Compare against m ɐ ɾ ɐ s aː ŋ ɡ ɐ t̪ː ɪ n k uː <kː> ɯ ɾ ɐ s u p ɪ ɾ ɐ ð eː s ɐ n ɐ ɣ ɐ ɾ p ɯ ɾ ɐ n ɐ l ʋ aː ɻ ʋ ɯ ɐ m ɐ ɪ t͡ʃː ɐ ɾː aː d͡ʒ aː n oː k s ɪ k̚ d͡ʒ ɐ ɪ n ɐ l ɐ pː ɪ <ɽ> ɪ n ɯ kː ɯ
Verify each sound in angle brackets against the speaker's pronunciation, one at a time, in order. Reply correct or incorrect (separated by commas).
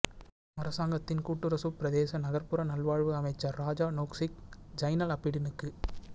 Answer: incorrect, correct